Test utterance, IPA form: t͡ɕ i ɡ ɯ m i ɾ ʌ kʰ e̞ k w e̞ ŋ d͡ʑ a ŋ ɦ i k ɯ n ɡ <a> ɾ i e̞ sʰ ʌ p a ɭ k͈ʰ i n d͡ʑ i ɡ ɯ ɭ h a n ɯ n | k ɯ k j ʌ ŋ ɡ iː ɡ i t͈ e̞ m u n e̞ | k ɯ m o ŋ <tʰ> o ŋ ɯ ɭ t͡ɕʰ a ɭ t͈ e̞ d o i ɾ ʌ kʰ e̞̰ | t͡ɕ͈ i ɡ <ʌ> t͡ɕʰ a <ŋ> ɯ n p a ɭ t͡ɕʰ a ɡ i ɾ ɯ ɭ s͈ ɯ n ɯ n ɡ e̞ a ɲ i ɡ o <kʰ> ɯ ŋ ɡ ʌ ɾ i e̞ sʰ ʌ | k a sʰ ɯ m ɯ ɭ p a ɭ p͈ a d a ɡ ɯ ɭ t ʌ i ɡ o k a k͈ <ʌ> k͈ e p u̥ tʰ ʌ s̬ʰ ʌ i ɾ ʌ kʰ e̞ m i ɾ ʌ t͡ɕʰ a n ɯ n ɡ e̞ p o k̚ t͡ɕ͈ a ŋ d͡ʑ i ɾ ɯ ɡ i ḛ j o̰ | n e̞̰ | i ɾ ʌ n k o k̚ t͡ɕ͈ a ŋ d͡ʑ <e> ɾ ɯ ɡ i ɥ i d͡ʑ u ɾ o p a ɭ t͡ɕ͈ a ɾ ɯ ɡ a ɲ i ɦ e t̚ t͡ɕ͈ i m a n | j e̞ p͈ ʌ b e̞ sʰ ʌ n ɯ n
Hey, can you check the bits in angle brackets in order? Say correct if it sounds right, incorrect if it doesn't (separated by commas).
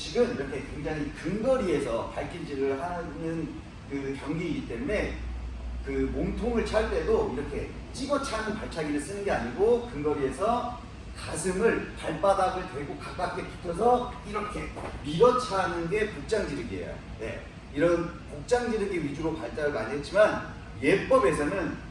incorrect, correct, correct, incorrect, incorrect, incorrect, incorrect